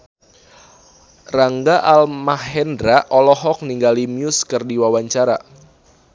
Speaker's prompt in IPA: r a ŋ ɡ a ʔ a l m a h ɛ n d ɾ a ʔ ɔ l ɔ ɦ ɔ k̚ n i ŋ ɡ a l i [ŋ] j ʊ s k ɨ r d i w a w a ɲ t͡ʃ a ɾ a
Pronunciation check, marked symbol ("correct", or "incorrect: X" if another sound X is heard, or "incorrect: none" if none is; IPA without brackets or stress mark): incorrect: m